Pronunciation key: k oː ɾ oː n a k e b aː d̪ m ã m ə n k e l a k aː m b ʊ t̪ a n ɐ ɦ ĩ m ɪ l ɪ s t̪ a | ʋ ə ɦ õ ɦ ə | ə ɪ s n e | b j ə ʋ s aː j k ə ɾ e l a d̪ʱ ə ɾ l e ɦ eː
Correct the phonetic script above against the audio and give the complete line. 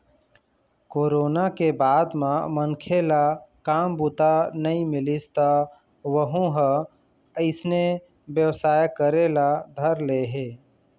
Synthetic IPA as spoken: k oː ɾ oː n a k e b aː d̪ m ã m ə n kʰ e l a k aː m b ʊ t̪ a n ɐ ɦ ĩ m ɪ l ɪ s t̪ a | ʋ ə ɦ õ ɦ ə | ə ɪ s n e | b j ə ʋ s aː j k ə ɾ e l a d̪ʱ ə ɾ l e ɦ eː